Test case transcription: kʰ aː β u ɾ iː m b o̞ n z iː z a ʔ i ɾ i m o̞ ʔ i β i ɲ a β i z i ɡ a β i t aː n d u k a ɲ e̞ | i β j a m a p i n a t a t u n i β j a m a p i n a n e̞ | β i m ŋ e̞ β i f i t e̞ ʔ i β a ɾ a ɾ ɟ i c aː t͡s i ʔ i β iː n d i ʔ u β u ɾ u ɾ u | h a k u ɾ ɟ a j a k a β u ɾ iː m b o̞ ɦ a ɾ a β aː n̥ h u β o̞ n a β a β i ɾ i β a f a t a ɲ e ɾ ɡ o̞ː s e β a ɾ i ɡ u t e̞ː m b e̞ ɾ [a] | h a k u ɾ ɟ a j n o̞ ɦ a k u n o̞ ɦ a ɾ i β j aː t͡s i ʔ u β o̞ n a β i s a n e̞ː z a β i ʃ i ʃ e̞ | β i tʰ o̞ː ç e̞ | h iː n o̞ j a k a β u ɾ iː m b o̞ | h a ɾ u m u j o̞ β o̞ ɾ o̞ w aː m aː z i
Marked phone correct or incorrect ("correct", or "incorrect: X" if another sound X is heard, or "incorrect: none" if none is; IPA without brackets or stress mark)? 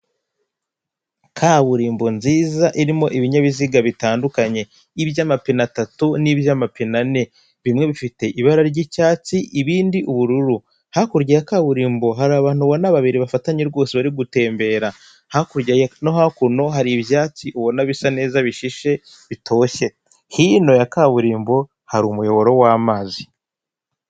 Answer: correct